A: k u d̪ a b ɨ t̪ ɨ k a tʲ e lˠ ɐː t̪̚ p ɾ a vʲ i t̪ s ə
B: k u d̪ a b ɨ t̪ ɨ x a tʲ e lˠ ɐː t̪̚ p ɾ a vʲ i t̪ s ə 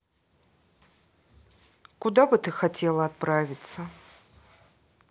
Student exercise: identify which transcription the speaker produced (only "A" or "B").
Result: B